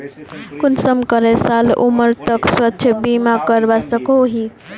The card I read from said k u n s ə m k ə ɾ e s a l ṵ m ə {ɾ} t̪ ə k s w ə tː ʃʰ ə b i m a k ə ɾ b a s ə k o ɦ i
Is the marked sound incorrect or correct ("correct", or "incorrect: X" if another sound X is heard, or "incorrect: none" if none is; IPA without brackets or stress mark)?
correct